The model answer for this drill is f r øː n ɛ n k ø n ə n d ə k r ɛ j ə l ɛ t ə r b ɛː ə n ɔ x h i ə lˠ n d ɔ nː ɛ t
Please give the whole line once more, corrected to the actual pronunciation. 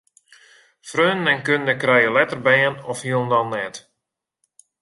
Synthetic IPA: f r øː n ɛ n k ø n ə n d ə k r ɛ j ə l ɛ t ə r b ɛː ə n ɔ f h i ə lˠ n d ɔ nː ɛ t